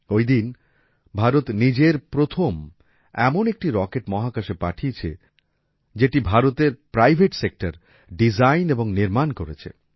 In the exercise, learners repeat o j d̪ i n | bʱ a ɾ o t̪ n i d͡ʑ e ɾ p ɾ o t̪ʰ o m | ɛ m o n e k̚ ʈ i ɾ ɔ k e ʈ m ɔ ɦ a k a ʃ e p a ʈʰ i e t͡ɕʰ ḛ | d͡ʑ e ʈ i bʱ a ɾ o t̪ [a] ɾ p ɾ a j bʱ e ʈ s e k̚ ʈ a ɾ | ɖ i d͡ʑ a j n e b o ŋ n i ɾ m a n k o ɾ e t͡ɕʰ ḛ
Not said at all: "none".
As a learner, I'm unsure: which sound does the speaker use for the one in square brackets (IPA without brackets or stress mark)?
e